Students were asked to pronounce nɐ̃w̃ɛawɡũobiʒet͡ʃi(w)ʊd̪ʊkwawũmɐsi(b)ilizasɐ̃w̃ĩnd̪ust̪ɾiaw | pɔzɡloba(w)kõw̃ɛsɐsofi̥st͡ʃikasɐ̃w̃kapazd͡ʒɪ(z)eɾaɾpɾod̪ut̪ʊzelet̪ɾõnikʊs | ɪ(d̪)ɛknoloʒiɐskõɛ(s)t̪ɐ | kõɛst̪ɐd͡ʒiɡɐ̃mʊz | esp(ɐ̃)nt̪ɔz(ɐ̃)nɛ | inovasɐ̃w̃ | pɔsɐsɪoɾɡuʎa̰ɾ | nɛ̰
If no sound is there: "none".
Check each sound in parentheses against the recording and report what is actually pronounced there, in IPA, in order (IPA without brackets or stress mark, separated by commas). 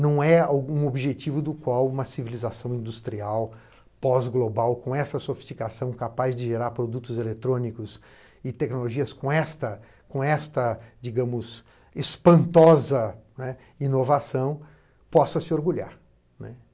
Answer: v, v, w, ʒ, t̪, s, ɐ̃, ɐ